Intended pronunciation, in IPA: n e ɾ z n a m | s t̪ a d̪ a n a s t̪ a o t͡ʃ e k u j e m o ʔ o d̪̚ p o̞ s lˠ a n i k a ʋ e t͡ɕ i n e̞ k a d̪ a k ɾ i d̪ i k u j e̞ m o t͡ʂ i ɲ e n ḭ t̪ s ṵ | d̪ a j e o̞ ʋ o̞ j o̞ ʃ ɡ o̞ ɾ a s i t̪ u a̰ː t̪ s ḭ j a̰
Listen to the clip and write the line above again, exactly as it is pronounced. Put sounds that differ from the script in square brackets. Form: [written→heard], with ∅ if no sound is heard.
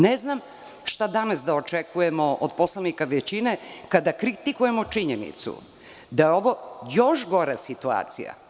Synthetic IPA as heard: n e [ɾ→∅] z n a m | [s→ʃ] t̪ a d̪ a n a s [t̪→d̪] a o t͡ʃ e k u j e m o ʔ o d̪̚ p o̞ s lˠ a n i k a ʋ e t͡ɕ i n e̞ k a d̪ a k ɾ i [d̪→t̪] i k u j e̞ m o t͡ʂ i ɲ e n ḭ t̪ s ṵ | d̪ a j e o̞ ʋ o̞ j o̞ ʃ ɡ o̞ ɾ a s i t̪ u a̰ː t̪ s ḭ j a̰